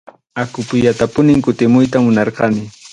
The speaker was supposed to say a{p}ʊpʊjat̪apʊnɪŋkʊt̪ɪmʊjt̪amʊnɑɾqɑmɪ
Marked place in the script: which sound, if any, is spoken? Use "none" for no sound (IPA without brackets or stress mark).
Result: k